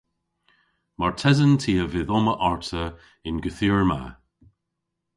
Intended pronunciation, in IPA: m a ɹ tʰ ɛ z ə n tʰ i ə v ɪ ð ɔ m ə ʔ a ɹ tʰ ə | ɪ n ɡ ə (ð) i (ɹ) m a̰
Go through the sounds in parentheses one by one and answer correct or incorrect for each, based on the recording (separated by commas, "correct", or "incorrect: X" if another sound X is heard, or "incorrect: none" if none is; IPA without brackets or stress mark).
incorrect: θ, correct